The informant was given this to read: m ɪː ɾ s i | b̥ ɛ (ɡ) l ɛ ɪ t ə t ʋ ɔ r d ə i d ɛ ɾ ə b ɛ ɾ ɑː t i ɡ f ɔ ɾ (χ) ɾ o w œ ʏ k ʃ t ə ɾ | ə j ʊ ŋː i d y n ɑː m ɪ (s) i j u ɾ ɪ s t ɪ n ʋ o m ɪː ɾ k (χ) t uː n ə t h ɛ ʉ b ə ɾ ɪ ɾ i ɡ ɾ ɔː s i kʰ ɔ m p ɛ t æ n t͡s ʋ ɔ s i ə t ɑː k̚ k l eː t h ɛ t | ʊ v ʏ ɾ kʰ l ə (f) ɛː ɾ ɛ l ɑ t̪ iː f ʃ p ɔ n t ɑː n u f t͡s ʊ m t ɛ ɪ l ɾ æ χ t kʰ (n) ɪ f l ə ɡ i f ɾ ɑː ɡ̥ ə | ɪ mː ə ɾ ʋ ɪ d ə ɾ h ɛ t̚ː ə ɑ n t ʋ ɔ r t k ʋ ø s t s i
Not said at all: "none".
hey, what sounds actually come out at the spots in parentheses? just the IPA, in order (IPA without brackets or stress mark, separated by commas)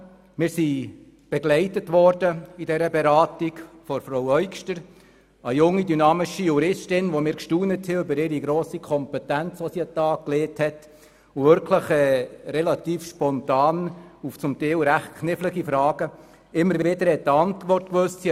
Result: ɡ, f, ʃ, ʃ, χ, n